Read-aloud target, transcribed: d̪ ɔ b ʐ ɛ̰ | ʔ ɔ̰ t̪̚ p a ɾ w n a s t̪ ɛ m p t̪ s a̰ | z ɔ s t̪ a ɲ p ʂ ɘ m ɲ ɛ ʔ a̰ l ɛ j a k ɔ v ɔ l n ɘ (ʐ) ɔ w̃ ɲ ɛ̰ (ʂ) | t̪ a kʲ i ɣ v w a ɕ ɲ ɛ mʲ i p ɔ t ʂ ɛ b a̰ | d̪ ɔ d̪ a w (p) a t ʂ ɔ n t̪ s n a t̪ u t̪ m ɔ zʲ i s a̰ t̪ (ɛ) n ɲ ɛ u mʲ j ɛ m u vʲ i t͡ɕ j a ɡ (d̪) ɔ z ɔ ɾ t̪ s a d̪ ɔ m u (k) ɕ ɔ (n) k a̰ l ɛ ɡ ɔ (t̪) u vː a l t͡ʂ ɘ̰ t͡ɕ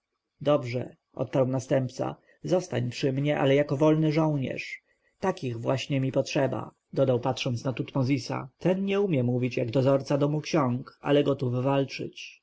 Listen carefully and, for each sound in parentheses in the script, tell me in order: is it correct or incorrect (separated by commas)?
correct, correct, correct, correct, correct, correct, incorrect, correct